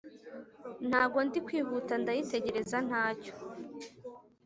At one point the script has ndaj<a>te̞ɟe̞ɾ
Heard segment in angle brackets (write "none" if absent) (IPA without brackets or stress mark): i